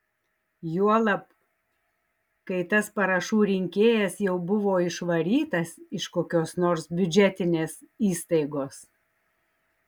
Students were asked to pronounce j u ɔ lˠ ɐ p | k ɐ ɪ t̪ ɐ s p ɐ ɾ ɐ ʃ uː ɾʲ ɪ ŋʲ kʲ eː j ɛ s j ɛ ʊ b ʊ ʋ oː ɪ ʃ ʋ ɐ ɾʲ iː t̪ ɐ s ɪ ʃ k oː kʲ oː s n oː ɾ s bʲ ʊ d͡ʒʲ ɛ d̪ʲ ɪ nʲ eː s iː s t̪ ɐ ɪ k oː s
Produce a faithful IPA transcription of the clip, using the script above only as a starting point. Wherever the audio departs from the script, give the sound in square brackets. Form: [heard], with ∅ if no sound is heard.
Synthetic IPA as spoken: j u ɔ lˠ ɐ p | k ɐ ɪ t̪ ɐ s p ɐ ɾ ɐ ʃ uː ɾʲ ɪ ŋʲ kʲ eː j ɛ s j ɛ ʊ b ʊ ʋ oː ɪ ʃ ʋ ɐ ɾʲ iː t̪ ɐ s ɪ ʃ k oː kʲ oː s n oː ɾ s bʲ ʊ d͡ʒʲ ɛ [t̪ʲ] ɪ nʲ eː s iː s t̪ ɐ ɪ [ɡ] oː s